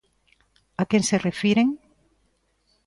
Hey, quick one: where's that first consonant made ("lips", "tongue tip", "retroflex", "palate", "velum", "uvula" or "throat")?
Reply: velum